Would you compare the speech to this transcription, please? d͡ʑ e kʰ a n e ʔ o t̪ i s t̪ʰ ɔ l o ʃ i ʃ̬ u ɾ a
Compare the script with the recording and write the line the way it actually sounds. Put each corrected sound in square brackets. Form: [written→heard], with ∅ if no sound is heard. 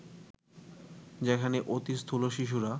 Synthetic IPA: d͡ʑ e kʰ a n e ʔ o t̪ i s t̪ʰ [ɔ→u] l o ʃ i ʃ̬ u ɾ a